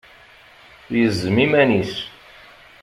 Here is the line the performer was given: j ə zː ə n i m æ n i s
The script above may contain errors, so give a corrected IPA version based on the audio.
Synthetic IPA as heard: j ə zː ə m i m æ n i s